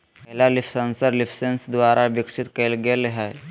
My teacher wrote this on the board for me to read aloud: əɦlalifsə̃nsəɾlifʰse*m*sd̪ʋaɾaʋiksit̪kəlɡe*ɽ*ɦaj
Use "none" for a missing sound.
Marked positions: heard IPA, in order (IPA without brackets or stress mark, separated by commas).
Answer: n, l